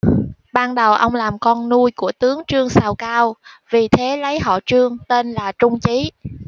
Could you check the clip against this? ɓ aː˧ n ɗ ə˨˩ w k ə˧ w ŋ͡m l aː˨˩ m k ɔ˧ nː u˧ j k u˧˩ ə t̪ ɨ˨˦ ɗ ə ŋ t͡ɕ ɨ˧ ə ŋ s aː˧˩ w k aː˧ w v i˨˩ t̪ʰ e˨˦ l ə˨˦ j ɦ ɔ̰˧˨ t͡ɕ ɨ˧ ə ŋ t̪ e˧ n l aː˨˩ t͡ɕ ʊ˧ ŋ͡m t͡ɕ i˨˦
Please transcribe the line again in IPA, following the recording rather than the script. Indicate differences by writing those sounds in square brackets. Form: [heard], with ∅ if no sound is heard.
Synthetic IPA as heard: ɓ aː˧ n ɗ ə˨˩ w [ʔ] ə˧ w ŋ͡m l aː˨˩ m k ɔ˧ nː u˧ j k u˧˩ ə t̪ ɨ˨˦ [∅] ə ŋ t͡ɕ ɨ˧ ə ŋ s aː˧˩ w k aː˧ w v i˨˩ t̪ʰ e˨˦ l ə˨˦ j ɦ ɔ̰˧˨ t͡ɕ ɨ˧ ə ŋ t̪ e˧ n l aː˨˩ t͡ɕ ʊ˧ ŋ͡m t͡ɕ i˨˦